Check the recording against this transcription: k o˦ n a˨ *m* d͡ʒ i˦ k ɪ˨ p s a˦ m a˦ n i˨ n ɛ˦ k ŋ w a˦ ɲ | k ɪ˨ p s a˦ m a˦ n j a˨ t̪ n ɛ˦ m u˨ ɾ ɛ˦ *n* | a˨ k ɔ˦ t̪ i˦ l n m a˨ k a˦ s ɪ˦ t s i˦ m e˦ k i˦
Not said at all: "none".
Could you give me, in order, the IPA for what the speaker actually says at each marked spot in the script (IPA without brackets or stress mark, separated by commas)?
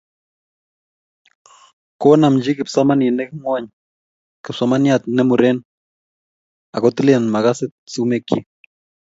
m, n